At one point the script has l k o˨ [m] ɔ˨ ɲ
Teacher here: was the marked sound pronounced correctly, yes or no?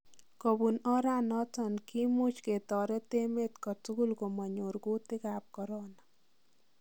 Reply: yes